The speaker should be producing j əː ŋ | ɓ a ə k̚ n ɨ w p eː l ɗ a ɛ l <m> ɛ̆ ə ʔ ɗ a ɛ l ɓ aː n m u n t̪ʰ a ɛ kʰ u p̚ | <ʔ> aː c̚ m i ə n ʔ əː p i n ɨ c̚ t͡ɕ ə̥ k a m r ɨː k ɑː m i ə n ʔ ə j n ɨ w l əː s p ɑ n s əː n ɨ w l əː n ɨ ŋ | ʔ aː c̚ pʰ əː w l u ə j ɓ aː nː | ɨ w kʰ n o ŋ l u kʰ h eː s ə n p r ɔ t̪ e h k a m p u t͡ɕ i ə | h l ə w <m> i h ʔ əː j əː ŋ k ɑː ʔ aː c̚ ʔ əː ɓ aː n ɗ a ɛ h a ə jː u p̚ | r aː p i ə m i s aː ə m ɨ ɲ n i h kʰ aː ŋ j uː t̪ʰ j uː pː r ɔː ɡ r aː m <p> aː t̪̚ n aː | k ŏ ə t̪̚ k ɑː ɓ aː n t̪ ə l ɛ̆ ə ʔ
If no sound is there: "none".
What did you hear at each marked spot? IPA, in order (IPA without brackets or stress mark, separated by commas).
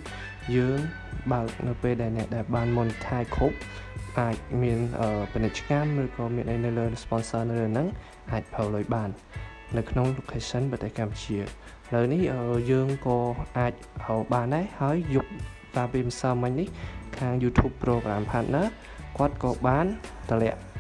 n, ʔ, n, pʰ